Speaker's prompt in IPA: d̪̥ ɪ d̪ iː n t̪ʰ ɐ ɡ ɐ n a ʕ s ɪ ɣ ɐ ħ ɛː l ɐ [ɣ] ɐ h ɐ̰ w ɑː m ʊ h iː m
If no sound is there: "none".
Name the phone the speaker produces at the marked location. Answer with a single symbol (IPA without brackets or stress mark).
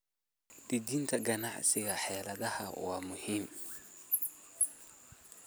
ð